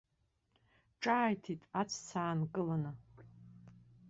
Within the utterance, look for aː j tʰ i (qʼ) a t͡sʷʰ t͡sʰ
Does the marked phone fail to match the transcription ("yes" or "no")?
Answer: yes